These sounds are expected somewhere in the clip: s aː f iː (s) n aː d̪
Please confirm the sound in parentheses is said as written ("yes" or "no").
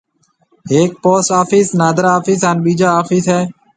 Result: yes